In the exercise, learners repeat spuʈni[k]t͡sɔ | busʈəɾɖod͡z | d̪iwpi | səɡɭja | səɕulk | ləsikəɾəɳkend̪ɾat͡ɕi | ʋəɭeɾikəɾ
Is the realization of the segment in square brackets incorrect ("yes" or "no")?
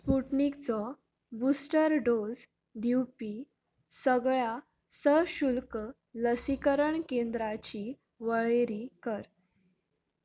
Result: no